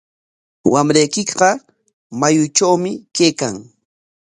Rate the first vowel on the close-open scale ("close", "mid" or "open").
open